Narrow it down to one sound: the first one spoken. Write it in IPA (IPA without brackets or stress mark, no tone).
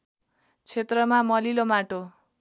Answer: t͡sʰ